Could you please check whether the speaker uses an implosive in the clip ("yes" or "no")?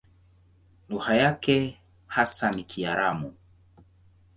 no